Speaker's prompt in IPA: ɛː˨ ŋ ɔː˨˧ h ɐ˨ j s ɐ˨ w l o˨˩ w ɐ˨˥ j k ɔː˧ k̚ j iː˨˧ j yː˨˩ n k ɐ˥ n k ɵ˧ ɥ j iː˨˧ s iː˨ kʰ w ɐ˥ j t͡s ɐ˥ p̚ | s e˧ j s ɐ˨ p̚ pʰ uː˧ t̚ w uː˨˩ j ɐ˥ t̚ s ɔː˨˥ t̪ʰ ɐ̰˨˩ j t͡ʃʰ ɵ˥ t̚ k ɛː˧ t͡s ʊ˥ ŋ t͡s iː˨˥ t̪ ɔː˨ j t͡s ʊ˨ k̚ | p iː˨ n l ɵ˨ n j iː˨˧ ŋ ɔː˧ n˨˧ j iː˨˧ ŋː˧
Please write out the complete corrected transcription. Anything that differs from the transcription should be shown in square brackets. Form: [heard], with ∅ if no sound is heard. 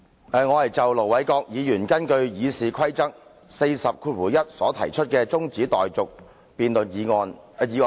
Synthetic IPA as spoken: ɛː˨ ŋ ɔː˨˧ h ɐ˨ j [t͡s] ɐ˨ w l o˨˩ w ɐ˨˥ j k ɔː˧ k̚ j iː˨˧ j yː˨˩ n k ɐ˥ n k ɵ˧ ɥ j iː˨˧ s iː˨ kʰ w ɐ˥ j t͡s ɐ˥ [k̚] | s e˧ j s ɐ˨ p̚ [kʰ] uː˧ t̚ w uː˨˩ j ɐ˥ t̚ s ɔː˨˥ t̪ʰ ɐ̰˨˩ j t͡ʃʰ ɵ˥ t̚ k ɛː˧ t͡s ʊ˥ ŋ t͡s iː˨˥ t̪ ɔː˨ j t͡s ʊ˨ k̚ | p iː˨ n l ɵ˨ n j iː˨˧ ŋ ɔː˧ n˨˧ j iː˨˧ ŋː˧